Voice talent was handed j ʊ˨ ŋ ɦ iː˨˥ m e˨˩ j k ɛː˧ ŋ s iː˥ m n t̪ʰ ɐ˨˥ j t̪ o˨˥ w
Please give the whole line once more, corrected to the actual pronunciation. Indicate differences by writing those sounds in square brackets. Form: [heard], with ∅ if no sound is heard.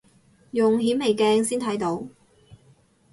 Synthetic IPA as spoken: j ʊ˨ ŋ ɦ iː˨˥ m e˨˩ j k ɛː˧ ŋ s iː˥ [∅] n t̪ʰ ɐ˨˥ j t̪ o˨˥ w